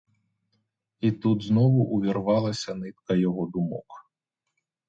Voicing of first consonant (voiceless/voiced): voiceless